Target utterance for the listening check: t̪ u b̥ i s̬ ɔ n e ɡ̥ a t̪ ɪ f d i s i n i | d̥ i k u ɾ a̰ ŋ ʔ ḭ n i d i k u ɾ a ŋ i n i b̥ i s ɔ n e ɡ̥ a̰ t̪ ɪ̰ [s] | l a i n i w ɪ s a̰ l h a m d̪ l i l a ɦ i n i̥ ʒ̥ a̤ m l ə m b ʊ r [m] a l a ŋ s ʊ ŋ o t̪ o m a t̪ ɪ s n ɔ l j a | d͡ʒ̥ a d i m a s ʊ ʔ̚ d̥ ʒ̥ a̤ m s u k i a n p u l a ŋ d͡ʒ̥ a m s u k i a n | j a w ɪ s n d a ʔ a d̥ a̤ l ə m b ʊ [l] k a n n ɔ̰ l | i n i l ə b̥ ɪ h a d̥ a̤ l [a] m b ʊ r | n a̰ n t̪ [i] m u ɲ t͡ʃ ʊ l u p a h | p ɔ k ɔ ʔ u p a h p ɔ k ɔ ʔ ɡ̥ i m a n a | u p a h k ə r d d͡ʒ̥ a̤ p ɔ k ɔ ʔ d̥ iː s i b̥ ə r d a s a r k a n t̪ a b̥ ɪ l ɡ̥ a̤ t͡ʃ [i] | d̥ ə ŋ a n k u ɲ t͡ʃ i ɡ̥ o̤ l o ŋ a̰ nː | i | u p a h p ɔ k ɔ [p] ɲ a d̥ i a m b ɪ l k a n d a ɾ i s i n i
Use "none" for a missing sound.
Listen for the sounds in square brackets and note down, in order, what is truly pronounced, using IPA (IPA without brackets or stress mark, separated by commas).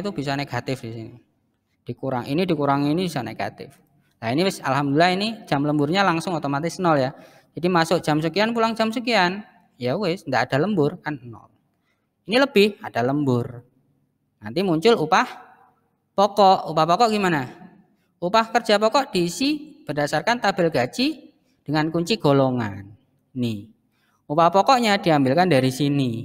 f, ɲ, r, ə, i, i, ʔ